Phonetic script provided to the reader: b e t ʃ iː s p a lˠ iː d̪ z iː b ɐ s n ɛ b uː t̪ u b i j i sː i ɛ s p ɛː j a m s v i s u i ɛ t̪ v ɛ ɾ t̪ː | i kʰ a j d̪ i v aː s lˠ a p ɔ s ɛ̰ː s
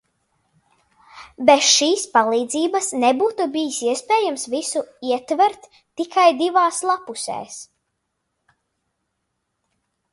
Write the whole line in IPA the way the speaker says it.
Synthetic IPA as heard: b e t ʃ iː s p a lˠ iː d̪ z iː b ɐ s n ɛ b uː t̪ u b i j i s i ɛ s p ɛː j a m s v i s u i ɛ t̪ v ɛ ɾ t̪ː | i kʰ a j d̪ i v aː s lˠ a p u s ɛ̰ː s